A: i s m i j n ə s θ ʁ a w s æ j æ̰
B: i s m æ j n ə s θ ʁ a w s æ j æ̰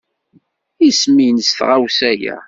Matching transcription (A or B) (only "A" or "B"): A